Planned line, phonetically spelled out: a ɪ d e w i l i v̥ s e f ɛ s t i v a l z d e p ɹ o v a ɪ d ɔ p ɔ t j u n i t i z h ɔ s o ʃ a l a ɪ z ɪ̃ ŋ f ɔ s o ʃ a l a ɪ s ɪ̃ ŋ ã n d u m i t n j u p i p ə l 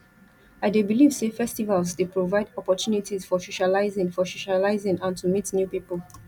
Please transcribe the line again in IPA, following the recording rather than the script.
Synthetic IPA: a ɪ d e b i l i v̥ s e f ɛ s t i v a l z d e p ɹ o v a ɪ d ɔ p ɔ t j u n i t i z f ɔ s o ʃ a l a ɪ z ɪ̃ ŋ f ɔ s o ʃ a l a ɪ z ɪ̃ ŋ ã n t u m i t n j u p i p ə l